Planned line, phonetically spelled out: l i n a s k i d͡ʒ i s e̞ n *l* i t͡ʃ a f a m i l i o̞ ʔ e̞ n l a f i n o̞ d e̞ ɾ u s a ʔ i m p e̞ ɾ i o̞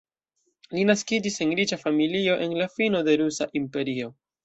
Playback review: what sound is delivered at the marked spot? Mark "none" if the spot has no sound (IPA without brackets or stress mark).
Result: ɾ